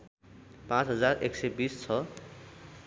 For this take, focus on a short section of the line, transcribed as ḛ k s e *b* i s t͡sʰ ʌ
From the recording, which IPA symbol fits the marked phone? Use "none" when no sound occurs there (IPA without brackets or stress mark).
b